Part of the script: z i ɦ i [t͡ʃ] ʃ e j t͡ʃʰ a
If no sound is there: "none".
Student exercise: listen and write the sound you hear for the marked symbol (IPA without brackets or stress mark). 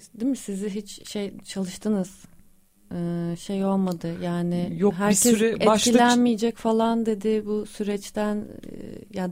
t͡ʃ